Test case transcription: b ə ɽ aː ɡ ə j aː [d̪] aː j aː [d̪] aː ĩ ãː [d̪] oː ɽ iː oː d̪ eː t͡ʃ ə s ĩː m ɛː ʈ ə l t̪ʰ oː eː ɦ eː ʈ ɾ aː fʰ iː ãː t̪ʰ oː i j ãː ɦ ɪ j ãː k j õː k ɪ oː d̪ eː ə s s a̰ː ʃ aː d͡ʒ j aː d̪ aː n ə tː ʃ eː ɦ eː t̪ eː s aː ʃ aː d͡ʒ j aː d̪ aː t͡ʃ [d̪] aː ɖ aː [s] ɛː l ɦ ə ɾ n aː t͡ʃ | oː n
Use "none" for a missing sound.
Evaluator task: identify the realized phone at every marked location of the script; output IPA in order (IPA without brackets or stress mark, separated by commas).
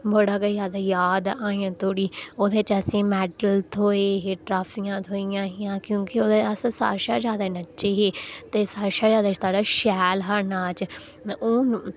d̪, d̪, t̪, t̪, ʃ